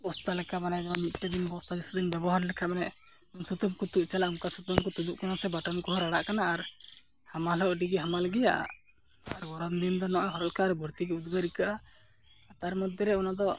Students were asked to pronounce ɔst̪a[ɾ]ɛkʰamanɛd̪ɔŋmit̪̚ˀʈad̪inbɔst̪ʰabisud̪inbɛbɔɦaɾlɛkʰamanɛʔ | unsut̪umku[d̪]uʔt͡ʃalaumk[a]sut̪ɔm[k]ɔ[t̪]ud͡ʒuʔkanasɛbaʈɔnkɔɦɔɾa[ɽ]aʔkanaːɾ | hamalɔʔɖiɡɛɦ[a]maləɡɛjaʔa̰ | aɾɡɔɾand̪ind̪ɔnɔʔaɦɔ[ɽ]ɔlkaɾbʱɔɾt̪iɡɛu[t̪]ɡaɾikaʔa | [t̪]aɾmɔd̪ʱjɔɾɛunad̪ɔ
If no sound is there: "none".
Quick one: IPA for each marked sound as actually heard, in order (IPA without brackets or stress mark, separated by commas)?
l, t̪, a, k, t̪, ɽ, a, ɾ, d̪, t̪